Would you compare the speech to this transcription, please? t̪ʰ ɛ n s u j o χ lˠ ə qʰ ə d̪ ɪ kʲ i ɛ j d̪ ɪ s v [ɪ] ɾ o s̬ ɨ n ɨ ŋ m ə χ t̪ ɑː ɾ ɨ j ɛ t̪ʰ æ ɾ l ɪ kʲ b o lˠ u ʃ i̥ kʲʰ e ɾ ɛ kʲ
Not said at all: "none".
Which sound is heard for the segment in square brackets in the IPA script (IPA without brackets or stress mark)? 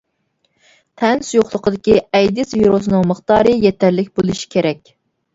i